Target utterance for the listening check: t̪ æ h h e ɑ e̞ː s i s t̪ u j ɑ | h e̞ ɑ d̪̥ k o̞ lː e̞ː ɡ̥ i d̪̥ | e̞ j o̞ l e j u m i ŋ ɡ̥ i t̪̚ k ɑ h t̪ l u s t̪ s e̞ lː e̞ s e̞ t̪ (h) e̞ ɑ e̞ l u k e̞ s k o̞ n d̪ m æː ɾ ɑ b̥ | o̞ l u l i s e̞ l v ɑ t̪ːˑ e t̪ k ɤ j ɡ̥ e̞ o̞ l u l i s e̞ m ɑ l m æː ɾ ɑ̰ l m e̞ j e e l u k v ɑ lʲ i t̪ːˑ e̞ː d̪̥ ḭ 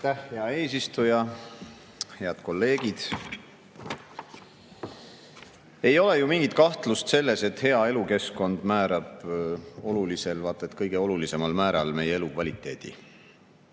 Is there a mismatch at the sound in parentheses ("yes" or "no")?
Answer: no